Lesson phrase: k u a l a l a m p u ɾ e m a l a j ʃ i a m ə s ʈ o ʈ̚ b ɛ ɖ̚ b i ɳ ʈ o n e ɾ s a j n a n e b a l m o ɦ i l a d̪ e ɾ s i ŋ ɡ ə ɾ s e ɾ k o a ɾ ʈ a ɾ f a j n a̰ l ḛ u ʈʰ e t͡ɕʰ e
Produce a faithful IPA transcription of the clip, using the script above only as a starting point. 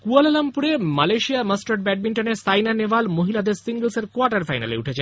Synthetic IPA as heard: k u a l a l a m p u ɾ e m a l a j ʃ i a m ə s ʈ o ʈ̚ b ɛ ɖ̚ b i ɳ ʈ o n e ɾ s a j n a n e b a l m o ɦ i l a d̪ e ɾ s i ŋ ɡ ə l s e ɾ k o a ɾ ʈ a ɾ f a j n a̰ l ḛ u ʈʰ e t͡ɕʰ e